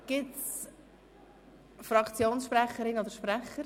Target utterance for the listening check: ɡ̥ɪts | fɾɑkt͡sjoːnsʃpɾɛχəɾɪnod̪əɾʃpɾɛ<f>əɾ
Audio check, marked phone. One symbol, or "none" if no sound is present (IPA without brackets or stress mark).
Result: χ